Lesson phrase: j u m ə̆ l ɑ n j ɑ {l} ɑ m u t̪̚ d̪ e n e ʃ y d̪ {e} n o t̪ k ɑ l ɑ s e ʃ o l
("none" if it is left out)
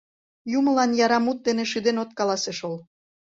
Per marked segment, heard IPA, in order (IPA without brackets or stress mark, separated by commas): ɾ, e